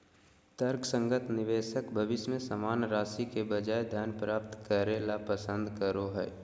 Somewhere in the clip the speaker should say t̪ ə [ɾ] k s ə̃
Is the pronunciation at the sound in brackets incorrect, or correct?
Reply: correct